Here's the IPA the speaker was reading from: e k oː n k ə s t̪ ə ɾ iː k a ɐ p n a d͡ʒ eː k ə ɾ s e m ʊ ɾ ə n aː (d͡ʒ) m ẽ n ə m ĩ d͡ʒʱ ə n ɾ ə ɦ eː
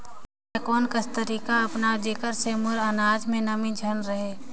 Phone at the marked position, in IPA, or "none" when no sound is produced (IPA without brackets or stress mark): d͡ʒ